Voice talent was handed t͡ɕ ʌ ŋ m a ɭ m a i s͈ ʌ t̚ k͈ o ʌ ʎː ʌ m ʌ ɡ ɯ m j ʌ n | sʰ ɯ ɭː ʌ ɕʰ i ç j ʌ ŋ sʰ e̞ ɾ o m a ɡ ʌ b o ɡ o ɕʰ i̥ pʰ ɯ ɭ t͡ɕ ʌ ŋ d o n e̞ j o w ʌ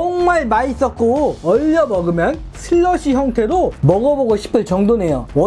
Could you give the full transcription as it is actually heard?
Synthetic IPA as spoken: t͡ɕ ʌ ŋ m a ɭ m a i s͈ ʌ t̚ k͈ o ʌ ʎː ʌ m ʌ ɡ ɯ m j ʌ n | sʰ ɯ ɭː ʌ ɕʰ i ç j ʌ ŋ tʰ e̞ ɾ o m ʌ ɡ ʌ b o ɡ o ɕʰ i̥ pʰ ɯ ɭ t͡ɕ ʌ ŋ d o n e̞ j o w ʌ